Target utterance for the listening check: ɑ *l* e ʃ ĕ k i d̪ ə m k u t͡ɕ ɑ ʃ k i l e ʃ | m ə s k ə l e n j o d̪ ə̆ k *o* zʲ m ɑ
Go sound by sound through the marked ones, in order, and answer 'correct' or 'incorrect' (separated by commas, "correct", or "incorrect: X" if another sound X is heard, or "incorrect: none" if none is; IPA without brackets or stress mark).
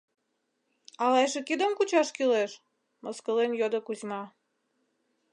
correct, incorrect: u